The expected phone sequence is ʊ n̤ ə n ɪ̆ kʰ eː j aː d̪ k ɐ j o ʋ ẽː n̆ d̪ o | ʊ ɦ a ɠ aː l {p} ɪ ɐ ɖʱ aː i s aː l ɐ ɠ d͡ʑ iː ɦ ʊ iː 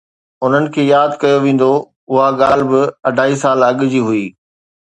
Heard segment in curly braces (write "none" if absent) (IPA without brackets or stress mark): b